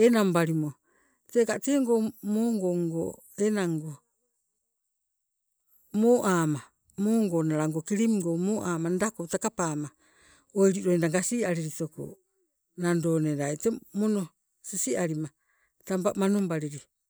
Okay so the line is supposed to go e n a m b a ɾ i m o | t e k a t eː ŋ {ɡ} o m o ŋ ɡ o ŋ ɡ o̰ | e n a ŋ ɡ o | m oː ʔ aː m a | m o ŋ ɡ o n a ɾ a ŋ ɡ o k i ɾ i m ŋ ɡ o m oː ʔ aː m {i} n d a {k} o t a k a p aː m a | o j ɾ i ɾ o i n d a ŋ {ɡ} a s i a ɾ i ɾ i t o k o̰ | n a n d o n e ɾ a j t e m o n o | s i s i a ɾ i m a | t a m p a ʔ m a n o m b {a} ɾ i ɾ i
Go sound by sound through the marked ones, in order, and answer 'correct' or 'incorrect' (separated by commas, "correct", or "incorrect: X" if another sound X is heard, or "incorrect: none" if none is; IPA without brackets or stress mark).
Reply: correct, incorrect: a, correct, correct, correct